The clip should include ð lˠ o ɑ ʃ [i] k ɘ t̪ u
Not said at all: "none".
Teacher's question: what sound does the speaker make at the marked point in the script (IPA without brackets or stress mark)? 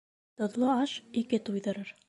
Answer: i